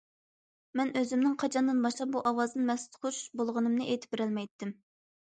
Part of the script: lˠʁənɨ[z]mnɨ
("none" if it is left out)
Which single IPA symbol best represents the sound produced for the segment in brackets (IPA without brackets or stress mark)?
none